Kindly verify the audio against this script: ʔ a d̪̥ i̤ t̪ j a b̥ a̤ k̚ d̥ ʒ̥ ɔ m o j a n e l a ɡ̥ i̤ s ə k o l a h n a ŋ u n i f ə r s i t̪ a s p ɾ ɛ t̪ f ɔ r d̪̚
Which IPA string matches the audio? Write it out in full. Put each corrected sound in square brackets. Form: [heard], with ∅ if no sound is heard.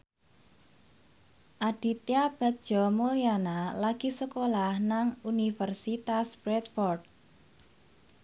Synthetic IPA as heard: ʔ a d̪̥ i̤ t̪ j a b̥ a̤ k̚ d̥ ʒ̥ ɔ m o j a n [a] l a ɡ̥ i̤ s ə k o l a h n a ŋ u n i f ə r s i t̪ a s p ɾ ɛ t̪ f ɔ r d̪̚